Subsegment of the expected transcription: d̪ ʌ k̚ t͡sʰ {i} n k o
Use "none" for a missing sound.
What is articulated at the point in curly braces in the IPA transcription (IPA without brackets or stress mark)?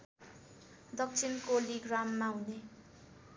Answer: i